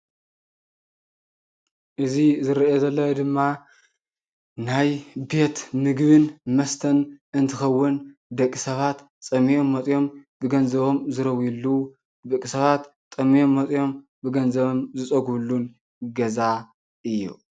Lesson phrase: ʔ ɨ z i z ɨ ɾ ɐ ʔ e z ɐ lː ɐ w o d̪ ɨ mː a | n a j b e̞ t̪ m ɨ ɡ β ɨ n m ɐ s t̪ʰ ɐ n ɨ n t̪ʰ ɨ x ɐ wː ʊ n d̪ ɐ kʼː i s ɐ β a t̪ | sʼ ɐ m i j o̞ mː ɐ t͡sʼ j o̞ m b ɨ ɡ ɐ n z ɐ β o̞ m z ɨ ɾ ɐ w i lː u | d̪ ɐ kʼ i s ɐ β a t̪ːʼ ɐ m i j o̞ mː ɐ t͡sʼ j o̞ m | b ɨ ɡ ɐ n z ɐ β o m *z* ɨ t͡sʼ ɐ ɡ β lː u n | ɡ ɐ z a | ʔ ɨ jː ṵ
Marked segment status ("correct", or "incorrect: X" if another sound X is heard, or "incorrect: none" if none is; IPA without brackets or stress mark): correct